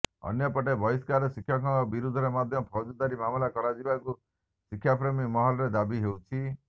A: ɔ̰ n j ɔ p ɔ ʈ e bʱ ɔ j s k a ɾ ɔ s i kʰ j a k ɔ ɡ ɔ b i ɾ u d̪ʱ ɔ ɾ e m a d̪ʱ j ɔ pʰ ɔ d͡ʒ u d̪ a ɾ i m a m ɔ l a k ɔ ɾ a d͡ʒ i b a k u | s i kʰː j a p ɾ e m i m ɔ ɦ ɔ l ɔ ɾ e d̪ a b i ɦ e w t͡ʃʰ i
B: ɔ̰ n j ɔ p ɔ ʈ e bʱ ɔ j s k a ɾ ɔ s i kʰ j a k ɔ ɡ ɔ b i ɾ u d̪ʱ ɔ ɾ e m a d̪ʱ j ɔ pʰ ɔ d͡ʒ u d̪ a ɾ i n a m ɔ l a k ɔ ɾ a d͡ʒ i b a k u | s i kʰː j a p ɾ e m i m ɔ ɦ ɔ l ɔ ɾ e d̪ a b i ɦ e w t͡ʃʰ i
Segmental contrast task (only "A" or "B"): A